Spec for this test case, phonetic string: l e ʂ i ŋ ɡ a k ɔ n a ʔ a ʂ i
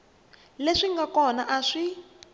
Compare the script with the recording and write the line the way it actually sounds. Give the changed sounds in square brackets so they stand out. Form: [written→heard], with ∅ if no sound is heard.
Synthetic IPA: l e ʂ i ŋ ɡ a k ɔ n a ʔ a ʂ i